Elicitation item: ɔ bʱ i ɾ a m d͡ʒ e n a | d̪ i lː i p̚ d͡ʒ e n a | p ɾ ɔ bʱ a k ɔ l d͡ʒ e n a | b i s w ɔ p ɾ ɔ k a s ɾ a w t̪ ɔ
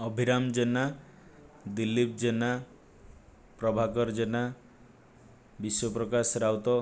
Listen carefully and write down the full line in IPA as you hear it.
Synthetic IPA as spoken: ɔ bʱ i ɾ a m d͡ʒ e n a | d̪ i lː i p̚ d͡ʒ e n a | p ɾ ɔ bʱ a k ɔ ɾ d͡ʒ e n a | b i s w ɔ p ɾ ɔ k a s ɾ a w t̪ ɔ

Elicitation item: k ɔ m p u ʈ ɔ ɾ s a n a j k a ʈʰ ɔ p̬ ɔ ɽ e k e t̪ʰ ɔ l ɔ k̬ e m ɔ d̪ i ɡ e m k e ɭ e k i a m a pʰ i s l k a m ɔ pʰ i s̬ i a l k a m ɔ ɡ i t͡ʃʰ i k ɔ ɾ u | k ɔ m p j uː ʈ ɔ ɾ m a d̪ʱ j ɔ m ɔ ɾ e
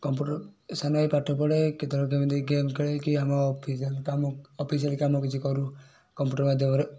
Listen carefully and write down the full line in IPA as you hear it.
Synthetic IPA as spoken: k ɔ m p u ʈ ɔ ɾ s a n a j p a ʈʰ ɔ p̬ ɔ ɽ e k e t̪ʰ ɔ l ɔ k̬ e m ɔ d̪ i ɡ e m k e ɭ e k i a m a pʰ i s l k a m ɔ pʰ i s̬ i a l k a m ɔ k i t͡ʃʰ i k ɔ ɾ u | k ɔ m p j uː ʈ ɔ ɾ m a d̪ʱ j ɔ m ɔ ɾ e

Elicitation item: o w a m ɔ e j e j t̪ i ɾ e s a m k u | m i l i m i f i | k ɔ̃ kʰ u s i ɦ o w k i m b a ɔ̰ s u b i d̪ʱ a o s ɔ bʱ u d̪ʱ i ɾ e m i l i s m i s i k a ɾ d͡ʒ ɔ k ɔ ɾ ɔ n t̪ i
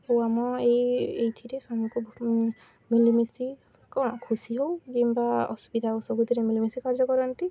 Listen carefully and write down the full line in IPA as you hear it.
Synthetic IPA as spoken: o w a m ɔ e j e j t̪ʰ i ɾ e s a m k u | m i l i m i s i | k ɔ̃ kʰ u s i ɦ o w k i m b a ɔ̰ s u b i d̪ʱ a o s ɔ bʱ u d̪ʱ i ɾ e m i l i m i s i k a ɾ d͡ʒ ɔ k ɔ ɾ ɔ n t̪ i

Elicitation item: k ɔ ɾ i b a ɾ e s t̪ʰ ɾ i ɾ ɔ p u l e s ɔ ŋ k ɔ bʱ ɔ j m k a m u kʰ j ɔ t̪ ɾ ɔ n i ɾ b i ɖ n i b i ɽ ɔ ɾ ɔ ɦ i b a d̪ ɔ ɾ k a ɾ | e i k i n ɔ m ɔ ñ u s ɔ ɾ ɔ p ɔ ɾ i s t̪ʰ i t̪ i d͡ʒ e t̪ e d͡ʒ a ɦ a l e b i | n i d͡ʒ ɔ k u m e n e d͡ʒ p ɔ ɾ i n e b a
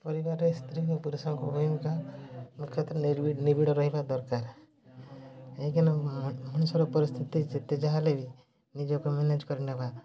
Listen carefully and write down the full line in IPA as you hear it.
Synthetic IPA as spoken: p ɔ ɾ i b a ɾ e s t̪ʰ ɾ i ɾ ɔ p u ɾ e s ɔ ŋ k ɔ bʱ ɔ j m k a m u kʰ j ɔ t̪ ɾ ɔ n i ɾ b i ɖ n i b i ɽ ɔ ɾ ɔ ɦ i b a d̪ ɔ ɾ k a ɾ | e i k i n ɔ m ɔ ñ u s ɔ ɾ ɔ p ɔ ɾ i s t̪ʰ i t̪ i d͡ʒ e t̪ e d͡ʒ a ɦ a l e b i | n i d͡ʒ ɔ k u m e n e d͡ʒ k ɔ ɾ i n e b a

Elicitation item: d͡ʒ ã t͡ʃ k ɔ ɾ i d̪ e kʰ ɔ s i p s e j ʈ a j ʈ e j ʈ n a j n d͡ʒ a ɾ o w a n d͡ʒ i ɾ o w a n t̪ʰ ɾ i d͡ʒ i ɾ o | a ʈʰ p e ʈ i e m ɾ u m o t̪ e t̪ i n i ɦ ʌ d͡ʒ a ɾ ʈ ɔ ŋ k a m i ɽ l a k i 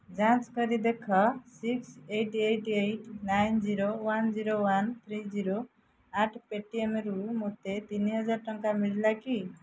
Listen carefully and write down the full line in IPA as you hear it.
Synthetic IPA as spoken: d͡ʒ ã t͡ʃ k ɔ ɾ i d̪ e kʰ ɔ s i k s e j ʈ e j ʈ e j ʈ n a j n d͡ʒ i ɾ o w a n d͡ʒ i ɾ o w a n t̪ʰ ɾ i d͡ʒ i ɾ o | a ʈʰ p e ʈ i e m ɾ u m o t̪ e t̪ i n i ɦ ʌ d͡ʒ a ɾ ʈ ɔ ŋ k a m i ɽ l a k i

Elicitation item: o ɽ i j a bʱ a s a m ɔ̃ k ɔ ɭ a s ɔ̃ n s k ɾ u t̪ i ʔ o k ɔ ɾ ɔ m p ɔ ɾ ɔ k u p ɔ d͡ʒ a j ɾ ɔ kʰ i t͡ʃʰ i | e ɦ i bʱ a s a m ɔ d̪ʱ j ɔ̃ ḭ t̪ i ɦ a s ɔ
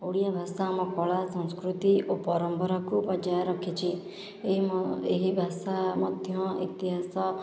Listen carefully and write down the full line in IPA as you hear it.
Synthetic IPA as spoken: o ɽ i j a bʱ a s a m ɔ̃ k ɔ ɭ a s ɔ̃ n s k ɾ u t̪ i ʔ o p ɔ ɾ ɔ m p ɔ ɾ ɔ k u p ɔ d͡ʒ a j ɾ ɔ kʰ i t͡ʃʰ i | e ɦ i bʱ a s a m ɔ d̪ʱ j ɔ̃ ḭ t̪ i ɦ a s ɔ

